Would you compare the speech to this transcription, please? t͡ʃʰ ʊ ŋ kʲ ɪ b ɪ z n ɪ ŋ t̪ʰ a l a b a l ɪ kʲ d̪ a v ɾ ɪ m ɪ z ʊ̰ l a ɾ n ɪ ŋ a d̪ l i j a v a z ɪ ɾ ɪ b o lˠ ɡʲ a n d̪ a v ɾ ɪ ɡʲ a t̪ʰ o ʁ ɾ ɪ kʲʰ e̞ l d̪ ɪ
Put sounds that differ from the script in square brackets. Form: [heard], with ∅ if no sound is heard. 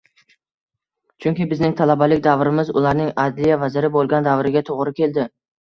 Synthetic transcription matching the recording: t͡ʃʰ ʊ ŋ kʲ ɪ b ɪ z n ɪ ŋ t̪ʰ a l a b a l ɪ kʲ d̪ a v ɾ ɪ m ɪ z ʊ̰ l a ɾ n ɪ ŋ a d̪ l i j a v a z ɪ ɾ ɪ b o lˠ ɡʲ a n d̪ a v ɾ ɪ ɡʲ a t̪ʰ o ʁ ɾ ɪ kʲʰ e̞ l d̪ ɪ